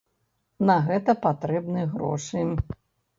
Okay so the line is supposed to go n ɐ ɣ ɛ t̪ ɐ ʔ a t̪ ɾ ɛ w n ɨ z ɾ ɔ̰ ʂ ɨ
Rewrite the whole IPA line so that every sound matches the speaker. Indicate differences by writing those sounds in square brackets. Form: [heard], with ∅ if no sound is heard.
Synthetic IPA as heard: n ɐ ɣ ɛ t̪ ɐ [p] a t̪ ɾ ɛ [b] n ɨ [ɣ] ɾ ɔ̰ ʂ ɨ